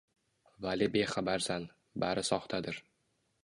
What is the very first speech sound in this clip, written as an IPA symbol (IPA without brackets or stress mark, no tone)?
v